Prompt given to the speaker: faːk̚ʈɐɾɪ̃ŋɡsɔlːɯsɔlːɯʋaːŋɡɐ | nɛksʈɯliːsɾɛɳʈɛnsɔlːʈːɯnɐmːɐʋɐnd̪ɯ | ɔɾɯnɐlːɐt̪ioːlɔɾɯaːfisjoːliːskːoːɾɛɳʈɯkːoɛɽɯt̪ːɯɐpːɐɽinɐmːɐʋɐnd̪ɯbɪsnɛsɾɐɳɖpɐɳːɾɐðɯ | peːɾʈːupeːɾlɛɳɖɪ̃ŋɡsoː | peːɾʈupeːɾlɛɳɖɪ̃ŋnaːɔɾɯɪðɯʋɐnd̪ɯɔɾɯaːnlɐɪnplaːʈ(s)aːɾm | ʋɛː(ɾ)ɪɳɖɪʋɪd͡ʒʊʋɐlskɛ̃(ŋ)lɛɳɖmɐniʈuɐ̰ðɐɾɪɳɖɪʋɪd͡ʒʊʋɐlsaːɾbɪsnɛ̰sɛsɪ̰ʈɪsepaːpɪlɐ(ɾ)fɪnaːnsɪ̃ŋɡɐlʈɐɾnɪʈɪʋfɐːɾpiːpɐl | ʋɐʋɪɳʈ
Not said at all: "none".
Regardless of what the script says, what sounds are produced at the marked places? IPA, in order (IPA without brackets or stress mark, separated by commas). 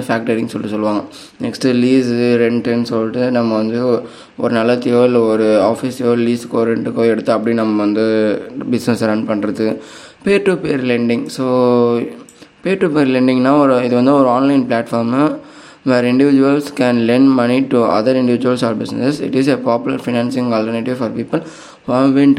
f, ɾ, n, ɾ